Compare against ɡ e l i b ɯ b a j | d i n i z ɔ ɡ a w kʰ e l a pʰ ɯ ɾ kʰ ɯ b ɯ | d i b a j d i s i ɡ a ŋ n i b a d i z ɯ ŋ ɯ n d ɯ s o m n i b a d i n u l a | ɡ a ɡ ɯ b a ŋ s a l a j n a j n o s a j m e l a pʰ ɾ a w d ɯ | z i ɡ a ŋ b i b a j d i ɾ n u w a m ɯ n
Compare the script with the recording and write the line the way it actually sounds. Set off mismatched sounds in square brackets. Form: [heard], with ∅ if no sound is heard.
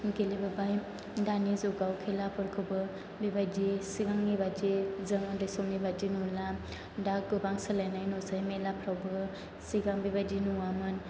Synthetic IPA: ɡ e l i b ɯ b a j | d [a] n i z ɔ ɡ a w kʰ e l a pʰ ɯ ɾ kʰ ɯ b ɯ | [b] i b a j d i s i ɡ a ŋ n i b a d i z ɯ ŋ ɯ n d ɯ s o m n i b a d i n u l a | [d] a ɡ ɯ b a ŋ s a l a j n a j n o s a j m e l a pʰ ɾ a w [b] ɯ | [s] i ɡ a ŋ b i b a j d i [∅] n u w a m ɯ n